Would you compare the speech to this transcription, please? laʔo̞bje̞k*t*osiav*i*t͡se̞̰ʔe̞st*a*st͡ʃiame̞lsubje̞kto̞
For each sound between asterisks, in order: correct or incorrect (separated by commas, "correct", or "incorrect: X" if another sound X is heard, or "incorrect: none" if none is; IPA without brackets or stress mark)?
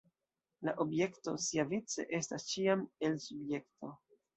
correct, correct, correct